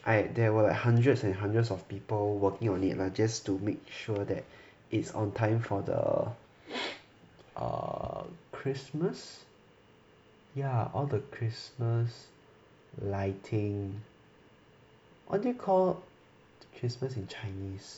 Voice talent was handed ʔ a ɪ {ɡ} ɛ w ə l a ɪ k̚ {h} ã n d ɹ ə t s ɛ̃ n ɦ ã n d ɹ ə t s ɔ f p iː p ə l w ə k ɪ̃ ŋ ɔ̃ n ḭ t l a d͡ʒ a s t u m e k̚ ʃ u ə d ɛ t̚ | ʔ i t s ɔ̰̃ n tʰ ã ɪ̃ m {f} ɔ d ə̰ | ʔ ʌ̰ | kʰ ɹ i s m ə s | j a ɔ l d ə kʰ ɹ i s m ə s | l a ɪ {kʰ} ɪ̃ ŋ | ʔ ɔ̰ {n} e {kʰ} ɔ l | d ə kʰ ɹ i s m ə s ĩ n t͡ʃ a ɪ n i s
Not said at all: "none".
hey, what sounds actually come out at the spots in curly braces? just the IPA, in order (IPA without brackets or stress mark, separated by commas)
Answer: d, h, f, tʰ, d, kʰ